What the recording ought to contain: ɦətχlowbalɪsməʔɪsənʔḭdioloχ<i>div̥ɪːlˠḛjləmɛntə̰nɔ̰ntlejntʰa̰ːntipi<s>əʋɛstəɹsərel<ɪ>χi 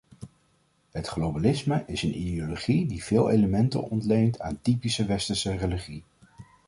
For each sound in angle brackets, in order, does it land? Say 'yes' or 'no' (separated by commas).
yes, yes, no